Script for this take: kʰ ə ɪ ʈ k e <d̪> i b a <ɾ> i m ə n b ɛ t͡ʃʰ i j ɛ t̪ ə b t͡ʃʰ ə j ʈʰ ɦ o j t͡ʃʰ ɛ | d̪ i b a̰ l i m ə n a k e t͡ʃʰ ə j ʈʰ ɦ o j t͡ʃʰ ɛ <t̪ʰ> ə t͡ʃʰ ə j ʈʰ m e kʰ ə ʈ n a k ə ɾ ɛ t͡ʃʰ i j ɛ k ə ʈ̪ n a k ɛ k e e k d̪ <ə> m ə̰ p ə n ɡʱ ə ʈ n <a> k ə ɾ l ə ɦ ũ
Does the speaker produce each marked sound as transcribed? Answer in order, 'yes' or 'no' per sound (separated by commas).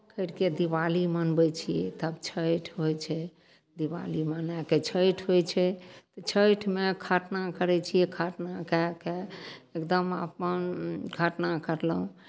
yes, no, no, yes, yes